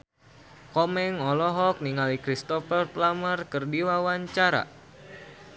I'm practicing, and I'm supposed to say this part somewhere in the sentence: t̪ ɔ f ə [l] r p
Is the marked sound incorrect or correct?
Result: incorrect